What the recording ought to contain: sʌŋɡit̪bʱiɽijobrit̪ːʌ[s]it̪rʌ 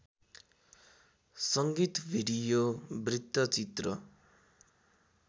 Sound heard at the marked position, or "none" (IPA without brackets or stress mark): t͡s